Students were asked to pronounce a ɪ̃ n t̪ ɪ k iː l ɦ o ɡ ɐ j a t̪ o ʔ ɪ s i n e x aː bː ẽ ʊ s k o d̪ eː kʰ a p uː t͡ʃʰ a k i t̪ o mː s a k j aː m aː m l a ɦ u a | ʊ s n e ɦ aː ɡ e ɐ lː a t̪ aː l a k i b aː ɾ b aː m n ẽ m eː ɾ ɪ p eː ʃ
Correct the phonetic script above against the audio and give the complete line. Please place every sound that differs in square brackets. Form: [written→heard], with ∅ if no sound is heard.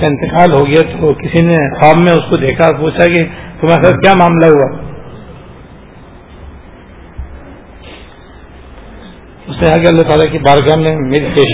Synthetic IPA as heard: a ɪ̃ n t̪ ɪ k [iː→aː] l ɦ o ɡ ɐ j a t̪ o [ʔ→k] ɪ s i n e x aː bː ẽ ʊ s k o d̪ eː kʰ a p uː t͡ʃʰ a k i t̪ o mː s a k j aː m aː m l a ɦ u a | ʊ s n e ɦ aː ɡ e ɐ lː a t̪ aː l a k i b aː ɾ [b→ɡ] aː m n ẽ m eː ɾ [ɪ→i] p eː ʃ